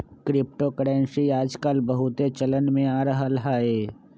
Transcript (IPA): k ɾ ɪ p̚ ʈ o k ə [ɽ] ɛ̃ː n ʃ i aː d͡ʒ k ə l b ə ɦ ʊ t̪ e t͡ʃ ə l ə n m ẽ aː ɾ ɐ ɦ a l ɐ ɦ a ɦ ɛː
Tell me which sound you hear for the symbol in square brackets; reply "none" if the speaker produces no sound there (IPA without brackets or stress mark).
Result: ɽ